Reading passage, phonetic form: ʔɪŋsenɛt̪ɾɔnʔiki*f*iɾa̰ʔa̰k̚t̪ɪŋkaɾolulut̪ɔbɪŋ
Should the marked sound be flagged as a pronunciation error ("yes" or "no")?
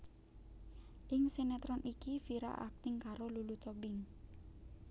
no